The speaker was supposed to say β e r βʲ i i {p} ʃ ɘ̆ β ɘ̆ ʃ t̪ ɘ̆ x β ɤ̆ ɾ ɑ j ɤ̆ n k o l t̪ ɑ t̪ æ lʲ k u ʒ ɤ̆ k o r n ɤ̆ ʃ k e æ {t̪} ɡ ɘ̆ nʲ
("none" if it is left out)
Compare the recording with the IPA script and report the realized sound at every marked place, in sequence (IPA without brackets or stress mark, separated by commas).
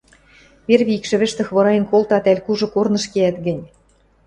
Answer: k, t̪